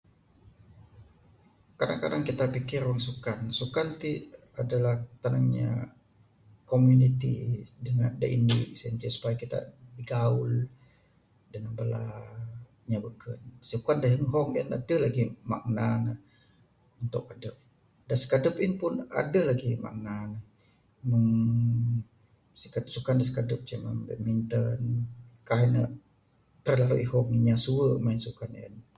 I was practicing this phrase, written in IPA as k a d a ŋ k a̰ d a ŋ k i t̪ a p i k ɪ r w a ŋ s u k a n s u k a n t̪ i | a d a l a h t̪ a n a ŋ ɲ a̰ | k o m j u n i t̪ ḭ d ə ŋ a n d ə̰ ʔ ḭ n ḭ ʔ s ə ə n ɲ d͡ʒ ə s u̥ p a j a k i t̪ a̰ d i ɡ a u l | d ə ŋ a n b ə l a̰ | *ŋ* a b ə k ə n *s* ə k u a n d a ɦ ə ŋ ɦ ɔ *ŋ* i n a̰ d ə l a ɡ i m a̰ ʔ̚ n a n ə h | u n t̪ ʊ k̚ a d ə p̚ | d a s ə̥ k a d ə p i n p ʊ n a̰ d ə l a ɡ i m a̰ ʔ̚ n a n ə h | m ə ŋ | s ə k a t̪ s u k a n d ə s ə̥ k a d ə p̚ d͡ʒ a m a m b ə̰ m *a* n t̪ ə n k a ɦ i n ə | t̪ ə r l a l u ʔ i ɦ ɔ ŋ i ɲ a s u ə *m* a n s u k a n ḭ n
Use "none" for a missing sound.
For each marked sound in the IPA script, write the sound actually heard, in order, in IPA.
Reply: ɲ, s, ŋ, i, m

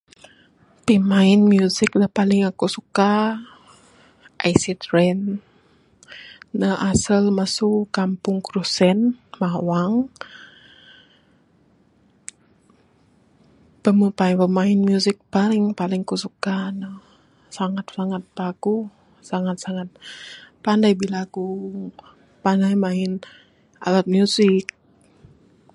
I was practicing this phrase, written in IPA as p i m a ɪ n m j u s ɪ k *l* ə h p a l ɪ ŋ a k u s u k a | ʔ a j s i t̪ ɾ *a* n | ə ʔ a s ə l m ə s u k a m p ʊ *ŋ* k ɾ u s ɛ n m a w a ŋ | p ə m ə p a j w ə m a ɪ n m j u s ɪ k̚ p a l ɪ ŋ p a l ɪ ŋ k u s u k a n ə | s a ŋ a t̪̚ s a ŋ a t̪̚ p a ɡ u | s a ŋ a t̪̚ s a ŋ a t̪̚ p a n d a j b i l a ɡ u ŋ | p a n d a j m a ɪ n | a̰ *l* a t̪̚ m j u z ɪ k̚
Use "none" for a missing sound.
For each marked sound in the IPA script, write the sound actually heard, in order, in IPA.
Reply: l, ɛ, ŋ, l

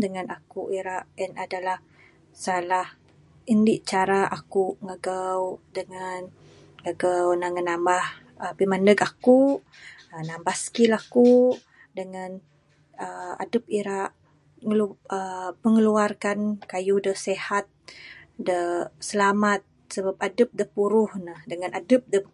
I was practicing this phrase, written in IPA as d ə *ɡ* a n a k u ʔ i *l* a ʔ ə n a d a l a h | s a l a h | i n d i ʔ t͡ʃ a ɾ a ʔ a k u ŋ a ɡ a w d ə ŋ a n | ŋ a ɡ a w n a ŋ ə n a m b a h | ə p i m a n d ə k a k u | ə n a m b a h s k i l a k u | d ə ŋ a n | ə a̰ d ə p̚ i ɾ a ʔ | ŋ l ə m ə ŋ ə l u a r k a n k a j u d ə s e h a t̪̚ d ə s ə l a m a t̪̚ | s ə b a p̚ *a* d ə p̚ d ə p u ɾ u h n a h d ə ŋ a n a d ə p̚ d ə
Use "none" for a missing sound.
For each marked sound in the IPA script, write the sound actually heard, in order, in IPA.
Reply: ŋ, ɾ, a

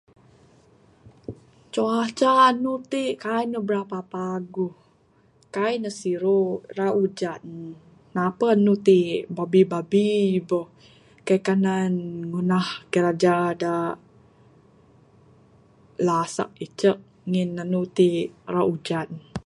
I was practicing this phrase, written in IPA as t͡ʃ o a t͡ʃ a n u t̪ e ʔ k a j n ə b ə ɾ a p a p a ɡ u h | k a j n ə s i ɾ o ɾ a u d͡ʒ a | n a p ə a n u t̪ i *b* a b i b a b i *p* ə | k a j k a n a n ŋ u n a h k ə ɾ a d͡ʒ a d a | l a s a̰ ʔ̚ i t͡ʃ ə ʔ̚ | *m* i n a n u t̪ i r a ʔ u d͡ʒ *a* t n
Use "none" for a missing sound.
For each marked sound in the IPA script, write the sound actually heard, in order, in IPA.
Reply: b, b, ŋ, a

